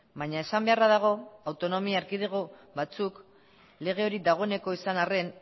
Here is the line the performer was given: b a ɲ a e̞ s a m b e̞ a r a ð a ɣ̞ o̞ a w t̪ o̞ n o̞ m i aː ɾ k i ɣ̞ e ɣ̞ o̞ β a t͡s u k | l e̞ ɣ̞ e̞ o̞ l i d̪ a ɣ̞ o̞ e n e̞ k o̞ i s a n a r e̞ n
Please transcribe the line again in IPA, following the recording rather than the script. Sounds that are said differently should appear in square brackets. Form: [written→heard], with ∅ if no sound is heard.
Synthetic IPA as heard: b a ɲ a e̞ s a m b e̞ a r a ð a ɣ̞ o̞ a w t̪ o̞ n o̞ m i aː ɾ k i [ɣ̞→ð̞] e ɣ̞ o̞ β a t͡s u k | l e̞ ɣ̞ e̞ o̞ [l→ɾ] i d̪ a ɣ̞ o̞ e n e̞ k o̞ i s a n a r e̞ n